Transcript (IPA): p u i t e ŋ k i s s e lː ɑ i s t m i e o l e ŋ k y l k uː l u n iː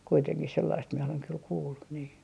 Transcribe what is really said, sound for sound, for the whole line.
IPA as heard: k u i t e ŋ k i h s e lː ɑ i s t m i e o l e ŋ k y l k uː lː u n iː